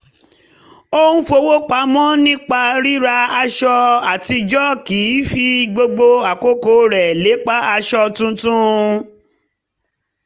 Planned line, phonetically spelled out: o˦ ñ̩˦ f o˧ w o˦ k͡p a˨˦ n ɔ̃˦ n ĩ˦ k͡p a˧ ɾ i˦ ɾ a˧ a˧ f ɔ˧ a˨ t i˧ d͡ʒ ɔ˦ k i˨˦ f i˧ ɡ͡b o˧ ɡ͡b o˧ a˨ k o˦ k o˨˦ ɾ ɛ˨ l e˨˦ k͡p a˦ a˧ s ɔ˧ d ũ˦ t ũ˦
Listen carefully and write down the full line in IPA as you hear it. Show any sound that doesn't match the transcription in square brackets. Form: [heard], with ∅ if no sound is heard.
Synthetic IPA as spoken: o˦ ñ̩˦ f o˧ w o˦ k͡p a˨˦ [m] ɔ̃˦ n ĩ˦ k͡p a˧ ɾ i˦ ɾ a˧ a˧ [ʃ] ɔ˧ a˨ t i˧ d͡ʒ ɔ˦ k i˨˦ f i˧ ɡ͡b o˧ ɡ͡b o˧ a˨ k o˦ k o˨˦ ɾ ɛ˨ l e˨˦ k͡p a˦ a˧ [ʃ] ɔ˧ [t] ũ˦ t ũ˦